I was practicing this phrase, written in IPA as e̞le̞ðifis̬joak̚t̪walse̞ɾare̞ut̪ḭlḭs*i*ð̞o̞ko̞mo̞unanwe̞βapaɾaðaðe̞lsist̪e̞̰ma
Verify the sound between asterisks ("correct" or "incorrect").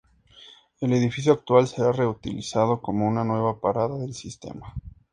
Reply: incorrect